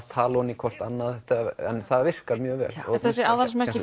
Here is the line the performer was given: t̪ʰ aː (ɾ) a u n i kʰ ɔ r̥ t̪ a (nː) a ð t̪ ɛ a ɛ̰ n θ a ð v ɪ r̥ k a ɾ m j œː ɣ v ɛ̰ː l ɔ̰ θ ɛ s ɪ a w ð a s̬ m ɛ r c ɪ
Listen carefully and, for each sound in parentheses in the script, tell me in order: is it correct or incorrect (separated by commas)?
incorrect, correct